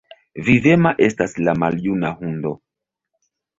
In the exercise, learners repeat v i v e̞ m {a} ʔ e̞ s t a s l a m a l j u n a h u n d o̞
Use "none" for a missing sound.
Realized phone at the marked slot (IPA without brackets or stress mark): a